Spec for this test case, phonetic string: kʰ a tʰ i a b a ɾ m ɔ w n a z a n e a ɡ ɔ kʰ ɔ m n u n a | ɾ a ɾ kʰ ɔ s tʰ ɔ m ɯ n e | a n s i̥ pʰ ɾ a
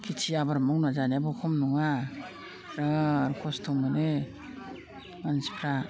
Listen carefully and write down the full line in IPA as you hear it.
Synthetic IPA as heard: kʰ i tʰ i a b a ɾ m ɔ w n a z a n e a b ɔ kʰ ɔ m n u ŋ a | ɾ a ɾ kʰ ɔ s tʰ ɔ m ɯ n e | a n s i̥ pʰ ɾ a

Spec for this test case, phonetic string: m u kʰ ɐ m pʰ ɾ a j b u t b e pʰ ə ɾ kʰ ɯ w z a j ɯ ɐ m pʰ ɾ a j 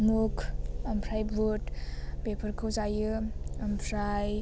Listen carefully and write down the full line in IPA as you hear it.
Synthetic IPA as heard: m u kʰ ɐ m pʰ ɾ a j b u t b e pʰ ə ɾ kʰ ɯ w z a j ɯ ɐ m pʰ ɾ a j

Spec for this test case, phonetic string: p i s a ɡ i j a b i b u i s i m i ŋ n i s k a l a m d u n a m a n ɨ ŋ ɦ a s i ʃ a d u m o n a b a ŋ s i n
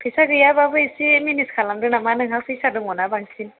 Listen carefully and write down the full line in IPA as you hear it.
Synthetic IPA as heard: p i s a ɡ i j a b a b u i s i m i n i s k a l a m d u n a m a n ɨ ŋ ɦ a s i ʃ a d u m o n a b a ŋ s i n

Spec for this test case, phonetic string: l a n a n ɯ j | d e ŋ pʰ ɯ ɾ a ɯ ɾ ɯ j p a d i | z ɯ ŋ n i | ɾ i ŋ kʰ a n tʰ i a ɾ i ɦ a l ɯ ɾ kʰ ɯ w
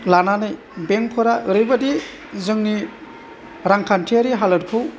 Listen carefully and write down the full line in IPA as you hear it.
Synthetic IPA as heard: l a n a n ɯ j | b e ŋ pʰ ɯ ɾ a ɯ ɾ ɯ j b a d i | z ɯ ŋ n i | ɾ a ŋ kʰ a n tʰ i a ɾ i ɦ a l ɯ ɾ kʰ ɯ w

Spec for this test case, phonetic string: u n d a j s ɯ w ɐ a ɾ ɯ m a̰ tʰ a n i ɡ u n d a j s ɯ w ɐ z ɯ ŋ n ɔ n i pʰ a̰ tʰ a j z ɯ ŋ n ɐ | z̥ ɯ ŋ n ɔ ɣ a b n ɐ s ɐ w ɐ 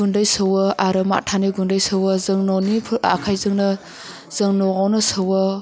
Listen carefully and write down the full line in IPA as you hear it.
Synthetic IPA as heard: u n d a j s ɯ w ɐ a ɾ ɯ m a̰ tʰ a n i ɡ u n d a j s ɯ w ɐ z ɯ ŋ n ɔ n i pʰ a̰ kʰ a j z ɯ ŋ n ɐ | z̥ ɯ ŋ n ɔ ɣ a w n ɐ s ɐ w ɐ

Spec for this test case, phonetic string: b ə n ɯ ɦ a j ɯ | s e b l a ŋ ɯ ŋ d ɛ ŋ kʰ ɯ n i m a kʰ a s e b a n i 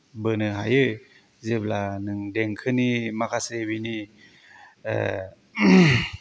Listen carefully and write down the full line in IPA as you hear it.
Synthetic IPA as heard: b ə n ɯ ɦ a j ɯ | z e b l a n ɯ ŋ d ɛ ŋ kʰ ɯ n i m a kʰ a s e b i n i

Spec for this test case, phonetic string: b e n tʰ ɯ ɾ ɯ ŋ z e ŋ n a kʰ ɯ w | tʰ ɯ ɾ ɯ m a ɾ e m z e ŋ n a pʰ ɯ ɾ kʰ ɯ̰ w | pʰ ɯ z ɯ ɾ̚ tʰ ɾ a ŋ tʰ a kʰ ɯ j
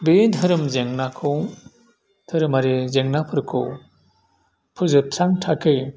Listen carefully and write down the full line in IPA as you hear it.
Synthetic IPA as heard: b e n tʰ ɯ ɾ ɯ m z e ŋ n a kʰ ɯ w | tʰ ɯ ɾ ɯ m a ɾ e z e ŋ n a pʰ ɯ ɾ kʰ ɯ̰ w | pʰ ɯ z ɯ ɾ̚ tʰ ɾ a ŋ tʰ a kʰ ɯ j

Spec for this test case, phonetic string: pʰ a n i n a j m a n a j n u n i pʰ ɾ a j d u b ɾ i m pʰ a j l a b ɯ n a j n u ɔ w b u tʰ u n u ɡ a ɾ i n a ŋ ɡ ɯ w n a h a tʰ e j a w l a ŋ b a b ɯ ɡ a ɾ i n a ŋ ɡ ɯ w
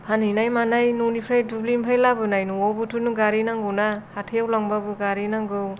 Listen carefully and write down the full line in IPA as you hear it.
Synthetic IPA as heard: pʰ a n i n a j m a n a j n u n i pʰ ɾ a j d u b l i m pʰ a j l a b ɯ n a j n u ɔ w b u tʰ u n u ɡ a ɾ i n a ŋ ɡ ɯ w n a h a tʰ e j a w l a ŋ b a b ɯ ɡ a ɾ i n a ŋ ɡ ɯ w

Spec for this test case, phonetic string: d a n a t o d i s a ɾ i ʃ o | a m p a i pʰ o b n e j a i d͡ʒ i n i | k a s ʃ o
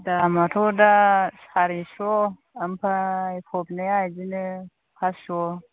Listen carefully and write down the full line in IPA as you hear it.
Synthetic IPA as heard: d a m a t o d a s a ɾ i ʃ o | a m p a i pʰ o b n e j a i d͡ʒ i n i | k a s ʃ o

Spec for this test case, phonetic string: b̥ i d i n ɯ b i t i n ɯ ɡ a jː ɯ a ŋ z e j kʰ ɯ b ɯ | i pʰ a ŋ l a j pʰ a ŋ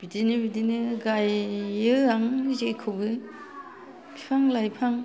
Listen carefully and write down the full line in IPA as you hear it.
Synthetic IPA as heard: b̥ i d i n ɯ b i d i n ɯ ɡ a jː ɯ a ŋ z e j kʰ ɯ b ɯ | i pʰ a ŋ l a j pʰ a ŋ

